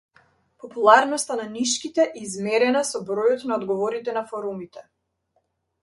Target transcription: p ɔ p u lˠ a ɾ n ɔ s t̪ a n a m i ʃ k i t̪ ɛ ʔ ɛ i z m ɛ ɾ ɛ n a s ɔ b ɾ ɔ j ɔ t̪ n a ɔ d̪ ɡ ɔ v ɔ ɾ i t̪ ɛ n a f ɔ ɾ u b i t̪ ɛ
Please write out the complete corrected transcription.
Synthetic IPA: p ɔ p u lˠ a ɾ n ɔ s t̪ a n a n i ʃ k i t̪ ɛ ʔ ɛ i z m ɛ ɾ ɛ n a s ɔ b ɾ ɔ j ɔ t̪ n a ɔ d̪ ɡ ɔ v ɔ ɾ i t̪ ɛ n a f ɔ ɾ u m i t̪ ɛ